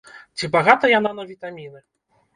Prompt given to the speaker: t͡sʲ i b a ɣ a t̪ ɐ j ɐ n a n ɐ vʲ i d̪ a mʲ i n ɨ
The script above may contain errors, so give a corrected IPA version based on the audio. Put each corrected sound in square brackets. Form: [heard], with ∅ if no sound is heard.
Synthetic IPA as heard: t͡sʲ i b a ɣ a t̪ ɐ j [a] n a n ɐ vʲ i [t̪] a mʲ i n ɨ